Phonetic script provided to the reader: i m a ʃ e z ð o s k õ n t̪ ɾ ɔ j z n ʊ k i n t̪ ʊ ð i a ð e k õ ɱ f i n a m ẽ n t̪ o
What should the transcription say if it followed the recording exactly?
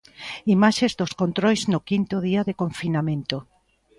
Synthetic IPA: i m a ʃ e z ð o s k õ n t̪ ɾ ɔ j z n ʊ k i n t̪ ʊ ð i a ð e k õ ɱ f i n a m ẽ n t̪ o